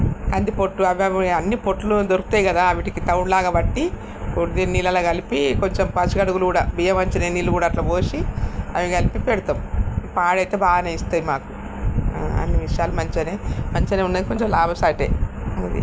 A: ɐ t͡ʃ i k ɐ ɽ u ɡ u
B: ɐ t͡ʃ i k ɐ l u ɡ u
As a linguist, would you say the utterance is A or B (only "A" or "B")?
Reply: A